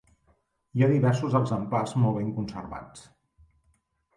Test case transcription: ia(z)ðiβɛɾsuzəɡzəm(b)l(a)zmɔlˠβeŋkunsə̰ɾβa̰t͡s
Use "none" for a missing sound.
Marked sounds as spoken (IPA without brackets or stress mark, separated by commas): none, p, a